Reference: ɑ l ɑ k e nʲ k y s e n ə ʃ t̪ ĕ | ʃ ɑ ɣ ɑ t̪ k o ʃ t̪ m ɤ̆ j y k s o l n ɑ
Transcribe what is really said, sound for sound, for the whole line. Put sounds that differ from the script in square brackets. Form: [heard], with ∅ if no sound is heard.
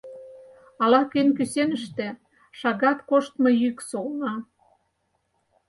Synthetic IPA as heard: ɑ l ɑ k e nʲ k y s e n ə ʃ t̪ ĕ | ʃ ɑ ɣ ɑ t̪ k o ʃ t̪ m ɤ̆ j y k s o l n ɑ